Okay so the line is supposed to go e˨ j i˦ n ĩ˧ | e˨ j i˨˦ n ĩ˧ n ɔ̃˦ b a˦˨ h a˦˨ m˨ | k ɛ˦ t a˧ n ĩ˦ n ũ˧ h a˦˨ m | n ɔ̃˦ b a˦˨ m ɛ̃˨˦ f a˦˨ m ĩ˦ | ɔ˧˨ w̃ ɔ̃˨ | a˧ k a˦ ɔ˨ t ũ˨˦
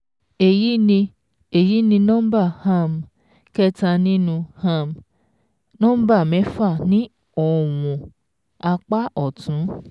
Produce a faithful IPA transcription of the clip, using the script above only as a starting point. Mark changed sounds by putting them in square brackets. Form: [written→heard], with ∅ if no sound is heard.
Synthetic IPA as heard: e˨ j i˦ n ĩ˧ | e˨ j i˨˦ n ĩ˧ n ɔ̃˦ b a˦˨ h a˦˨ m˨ | k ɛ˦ t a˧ n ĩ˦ n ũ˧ h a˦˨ m | n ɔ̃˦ b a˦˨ m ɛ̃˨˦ f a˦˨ [m→n] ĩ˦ | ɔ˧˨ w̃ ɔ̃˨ | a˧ [k→k͡p] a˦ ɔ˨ t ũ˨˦